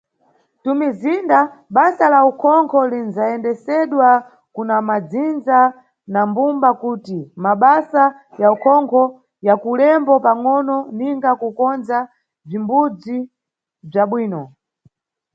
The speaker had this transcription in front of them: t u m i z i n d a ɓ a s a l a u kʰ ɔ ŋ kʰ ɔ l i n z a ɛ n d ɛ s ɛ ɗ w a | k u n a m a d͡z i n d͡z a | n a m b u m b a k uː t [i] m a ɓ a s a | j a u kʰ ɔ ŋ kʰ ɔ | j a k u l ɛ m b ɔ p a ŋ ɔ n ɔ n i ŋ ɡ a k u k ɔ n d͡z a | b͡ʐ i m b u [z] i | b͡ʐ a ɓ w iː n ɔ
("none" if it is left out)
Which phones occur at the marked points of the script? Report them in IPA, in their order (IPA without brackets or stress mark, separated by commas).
i, d͡z